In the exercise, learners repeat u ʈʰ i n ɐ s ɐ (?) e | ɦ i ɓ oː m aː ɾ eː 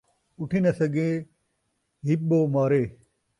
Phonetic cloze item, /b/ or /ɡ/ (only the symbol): ɡ